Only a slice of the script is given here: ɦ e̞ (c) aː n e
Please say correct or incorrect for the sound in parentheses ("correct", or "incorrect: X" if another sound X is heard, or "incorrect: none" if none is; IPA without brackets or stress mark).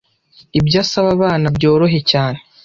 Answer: correct